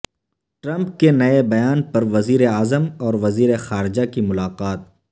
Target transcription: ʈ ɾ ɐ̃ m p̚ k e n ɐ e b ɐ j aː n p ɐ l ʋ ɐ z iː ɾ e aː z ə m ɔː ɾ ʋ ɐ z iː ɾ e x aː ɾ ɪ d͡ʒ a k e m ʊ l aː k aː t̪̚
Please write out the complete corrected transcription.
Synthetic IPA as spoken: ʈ ɾ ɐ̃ m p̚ k e n ɐ e b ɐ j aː n p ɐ ɾ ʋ ɐ z iː ɾ e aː z ə m ɔː ɾ ʋ ɐ z iː ɾ e x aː ɾ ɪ d͡ʒ a k i m ʊ l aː q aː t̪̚